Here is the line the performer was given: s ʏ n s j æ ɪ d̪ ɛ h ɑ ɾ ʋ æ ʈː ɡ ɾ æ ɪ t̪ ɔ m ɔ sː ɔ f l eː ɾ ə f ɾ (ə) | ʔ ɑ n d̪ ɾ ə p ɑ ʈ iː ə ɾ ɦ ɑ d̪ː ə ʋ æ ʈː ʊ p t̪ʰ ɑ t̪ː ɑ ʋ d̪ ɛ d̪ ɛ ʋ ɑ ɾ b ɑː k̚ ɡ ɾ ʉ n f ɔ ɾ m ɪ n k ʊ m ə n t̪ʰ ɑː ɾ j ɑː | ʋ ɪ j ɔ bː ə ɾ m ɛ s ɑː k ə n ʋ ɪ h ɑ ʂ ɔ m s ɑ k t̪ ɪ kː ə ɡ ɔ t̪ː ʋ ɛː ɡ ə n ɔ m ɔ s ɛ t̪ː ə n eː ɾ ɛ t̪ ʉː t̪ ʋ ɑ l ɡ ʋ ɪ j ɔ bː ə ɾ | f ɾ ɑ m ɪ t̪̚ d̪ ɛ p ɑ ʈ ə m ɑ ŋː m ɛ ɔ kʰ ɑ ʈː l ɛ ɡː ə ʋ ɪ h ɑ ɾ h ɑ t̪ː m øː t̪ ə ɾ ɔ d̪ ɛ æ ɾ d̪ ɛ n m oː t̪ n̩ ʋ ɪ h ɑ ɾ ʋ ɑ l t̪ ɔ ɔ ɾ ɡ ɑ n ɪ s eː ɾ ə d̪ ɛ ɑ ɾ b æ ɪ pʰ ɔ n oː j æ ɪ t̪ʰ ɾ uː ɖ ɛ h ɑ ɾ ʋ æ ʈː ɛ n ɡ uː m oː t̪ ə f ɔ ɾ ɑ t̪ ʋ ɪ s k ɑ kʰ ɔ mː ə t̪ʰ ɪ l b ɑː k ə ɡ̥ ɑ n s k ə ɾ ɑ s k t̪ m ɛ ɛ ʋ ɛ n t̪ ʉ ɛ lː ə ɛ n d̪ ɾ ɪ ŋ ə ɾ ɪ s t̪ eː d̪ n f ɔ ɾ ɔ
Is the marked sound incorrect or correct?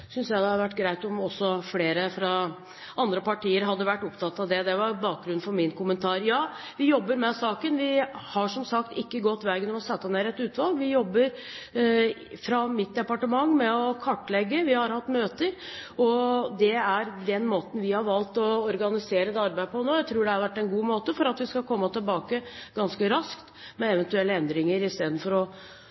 incorrect